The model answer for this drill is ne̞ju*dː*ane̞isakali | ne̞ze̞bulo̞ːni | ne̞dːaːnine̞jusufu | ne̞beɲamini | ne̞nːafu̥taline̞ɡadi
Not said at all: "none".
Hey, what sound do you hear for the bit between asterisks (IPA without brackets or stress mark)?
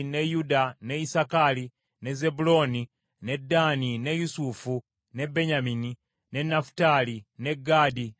d